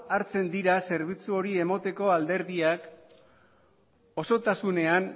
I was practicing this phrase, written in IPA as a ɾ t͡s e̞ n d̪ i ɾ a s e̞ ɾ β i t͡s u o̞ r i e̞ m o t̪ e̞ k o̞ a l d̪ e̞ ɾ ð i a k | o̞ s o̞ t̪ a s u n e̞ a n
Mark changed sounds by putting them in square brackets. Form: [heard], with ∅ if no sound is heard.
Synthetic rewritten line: a ɾ t͡s e̞ n d̪ i ɾ a s e̞ ɾ β i t͡s u o̞ [ɾ] i e̞ m o t̪ e̞ k o̞ a l d̪ e̞ ɾ ð i a k | o̞ s o̞ t̪ a s u n e̞ a n